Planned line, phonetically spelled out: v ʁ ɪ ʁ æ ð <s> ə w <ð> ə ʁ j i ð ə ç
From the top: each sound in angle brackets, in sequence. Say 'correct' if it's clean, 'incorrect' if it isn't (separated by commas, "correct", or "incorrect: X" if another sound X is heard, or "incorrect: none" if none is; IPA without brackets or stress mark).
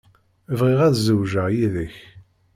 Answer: incorrect: z, incorrect: ʒ